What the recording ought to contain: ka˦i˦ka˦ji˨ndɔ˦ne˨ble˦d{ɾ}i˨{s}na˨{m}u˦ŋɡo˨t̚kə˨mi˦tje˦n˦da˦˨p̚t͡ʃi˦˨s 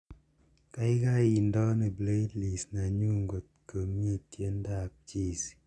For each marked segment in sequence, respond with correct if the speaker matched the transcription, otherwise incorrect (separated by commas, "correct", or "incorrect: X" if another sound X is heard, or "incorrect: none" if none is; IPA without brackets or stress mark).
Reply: incorrect: l, correct, incorrect: ɲ